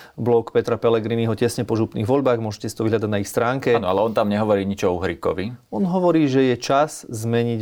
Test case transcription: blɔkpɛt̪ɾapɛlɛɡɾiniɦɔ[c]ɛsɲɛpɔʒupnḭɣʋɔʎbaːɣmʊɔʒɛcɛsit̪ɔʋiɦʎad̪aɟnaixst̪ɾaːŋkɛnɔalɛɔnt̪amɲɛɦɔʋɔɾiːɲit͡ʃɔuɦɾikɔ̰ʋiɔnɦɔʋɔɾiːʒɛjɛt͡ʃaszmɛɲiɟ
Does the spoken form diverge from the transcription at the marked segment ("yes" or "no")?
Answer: no